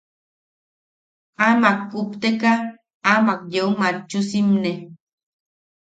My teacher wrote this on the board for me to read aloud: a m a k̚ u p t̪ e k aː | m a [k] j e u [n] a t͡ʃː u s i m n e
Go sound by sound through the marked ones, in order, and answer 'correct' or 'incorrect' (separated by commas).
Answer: correct, incorrect